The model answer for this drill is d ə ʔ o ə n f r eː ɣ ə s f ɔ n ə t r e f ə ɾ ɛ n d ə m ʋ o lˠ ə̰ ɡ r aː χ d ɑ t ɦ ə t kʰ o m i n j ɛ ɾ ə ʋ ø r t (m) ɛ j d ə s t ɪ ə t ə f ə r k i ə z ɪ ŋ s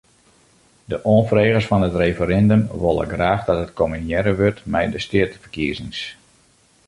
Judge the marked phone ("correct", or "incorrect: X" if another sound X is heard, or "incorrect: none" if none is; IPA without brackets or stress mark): correct